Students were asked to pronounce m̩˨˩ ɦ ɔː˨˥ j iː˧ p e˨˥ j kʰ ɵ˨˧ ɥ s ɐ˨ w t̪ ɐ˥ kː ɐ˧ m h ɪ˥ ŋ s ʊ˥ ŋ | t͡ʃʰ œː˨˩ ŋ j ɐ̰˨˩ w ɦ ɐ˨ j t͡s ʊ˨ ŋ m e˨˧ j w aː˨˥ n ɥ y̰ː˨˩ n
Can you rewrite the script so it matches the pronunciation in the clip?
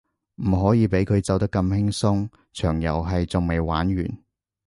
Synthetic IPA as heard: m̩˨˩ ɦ ɔː˨˥ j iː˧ p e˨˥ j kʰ ɵ˨˧ ɥ t͡s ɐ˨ w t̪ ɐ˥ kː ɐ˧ m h ɪ˥ ŋ s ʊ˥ ŋ | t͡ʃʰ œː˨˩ ŋ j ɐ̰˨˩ w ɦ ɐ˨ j t͡s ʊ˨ ŋ m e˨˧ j w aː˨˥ n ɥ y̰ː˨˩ n